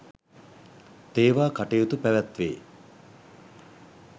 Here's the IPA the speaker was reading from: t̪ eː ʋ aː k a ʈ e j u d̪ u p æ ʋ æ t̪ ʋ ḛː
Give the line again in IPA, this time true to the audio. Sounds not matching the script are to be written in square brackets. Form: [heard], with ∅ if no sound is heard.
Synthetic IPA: t̪ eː ʋ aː k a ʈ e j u [t̪] u p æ ʋ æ t̪ ʋ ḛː